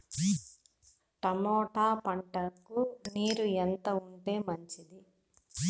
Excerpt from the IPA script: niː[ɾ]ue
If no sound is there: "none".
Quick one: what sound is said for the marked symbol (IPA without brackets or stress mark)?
ɾ